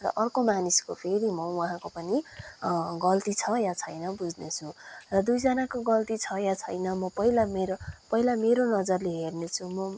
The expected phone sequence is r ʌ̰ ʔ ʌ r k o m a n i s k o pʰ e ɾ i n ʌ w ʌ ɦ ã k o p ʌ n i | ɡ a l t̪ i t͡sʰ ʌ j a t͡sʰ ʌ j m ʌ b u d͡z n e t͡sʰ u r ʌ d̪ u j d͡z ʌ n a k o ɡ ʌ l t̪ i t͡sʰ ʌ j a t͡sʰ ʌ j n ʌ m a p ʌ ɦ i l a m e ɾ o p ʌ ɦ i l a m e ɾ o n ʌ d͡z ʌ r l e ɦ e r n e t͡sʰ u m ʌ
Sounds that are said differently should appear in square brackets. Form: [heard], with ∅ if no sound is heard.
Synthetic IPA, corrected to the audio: r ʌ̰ ʔ ʌ r k o m a n i s k o pʰ e ɾ i [m] ʌ w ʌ ɦ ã k o p ʌ n i | ɡ [ʌ] l t̪ i t͡sʰ ʌ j a t͡sʰ ʌ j [n] ʌ b u d͡z n e t͡sʰ u r ʌ d̪ u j d͡z ʌ n a k o ɡ ʌ l t̪ i t͡sʰ ʌ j a t͡sʰ ʌ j n ʌ m [ʌ] p ʌ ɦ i l a m e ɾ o p ʌ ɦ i l a m e ɾ o n ʌ d͡z ʌ r l e ɦ e r n e t͡sʰ u m ʌ